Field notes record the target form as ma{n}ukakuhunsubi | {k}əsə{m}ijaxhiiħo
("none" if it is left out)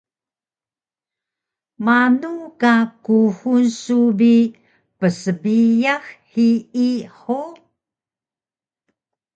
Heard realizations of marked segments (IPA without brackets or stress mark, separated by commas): n, p, b